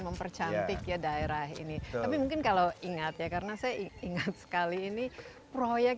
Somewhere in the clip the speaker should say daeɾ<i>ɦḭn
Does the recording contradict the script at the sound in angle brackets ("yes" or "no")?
yes